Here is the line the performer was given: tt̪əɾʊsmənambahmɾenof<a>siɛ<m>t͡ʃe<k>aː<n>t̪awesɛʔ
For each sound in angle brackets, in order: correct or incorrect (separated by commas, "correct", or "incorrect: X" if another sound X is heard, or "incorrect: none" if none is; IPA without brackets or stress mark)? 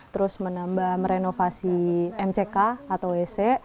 correct, correct, correct, incorrect: none